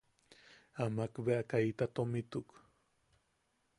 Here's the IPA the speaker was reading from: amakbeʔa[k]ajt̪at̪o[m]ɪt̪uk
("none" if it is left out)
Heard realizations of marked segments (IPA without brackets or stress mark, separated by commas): k, m